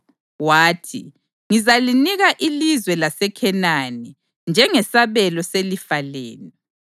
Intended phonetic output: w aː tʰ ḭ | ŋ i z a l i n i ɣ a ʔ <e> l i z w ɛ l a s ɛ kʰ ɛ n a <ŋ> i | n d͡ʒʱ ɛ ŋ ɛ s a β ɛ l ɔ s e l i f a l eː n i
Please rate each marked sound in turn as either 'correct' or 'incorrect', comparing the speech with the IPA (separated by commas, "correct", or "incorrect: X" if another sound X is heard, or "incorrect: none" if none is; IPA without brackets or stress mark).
incorrect: i, incorrect: n